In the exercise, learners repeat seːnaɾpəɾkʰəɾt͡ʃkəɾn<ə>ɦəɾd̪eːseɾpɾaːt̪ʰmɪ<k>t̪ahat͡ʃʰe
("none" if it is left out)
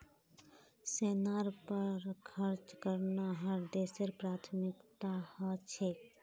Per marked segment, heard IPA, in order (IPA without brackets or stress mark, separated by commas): a, k